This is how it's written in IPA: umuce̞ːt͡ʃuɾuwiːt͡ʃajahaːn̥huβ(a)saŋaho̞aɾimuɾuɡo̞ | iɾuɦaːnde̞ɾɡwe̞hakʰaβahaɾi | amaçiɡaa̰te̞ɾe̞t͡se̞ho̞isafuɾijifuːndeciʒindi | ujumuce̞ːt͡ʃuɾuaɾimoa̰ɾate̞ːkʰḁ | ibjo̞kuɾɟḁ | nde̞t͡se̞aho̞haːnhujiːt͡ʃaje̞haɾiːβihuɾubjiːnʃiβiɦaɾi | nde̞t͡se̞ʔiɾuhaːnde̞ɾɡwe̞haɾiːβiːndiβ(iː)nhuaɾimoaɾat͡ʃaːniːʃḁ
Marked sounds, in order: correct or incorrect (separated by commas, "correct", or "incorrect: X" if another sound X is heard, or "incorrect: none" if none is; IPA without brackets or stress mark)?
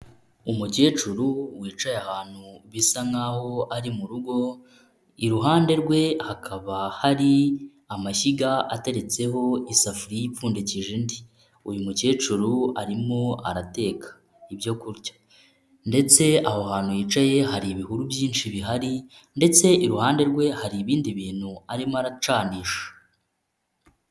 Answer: incorrect: i, correct